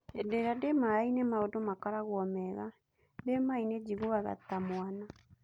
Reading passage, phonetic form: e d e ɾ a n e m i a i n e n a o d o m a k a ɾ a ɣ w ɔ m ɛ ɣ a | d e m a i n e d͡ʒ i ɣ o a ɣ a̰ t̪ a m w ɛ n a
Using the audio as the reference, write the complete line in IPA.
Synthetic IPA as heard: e d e ɾ a d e m a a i n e m a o d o m a k a ɾ a ɣ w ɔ m ɛ ɣ a | d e m a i n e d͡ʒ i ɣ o a ɣ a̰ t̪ a m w a n a